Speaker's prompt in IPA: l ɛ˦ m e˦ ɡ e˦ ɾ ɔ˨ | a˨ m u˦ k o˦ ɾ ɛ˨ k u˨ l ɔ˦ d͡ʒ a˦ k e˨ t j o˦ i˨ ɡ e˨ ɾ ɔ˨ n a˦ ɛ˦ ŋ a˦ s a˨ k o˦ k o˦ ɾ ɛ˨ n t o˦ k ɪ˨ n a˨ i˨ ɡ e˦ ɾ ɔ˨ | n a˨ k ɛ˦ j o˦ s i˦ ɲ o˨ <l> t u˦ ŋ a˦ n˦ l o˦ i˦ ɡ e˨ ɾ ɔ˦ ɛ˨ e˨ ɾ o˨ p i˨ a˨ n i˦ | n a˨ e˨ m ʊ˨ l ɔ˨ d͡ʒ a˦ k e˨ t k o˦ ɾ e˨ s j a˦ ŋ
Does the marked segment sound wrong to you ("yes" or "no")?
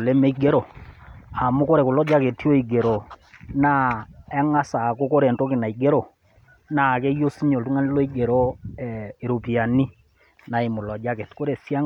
no